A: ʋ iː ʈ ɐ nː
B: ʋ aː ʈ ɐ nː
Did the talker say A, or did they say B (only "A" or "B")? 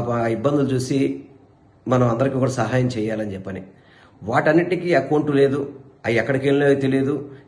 B